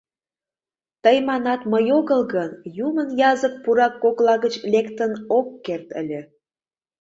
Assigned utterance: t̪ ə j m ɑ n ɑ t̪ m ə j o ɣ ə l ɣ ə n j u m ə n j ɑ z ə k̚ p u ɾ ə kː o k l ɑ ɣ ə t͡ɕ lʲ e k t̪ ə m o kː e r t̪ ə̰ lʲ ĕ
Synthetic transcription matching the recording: t̪ ə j m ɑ n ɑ t̪ m ə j o ɣ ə l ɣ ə n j u m ə n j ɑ z ə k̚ p u ɾ ɑ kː o k l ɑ ɣ ə t͡ɕ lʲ e k t̪ ə n o kː e r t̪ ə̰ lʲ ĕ